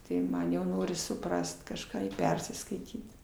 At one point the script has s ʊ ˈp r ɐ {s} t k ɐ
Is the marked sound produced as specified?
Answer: yes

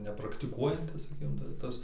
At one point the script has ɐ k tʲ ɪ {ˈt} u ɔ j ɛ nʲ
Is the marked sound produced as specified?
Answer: no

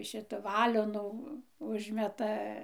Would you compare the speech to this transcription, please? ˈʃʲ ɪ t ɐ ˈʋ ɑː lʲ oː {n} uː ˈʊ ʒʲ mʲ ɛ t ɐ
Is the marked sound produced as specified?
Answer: yes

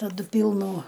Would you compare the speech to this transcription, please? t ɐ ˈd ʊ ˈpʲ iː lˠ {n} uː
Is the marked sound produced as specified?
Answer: yes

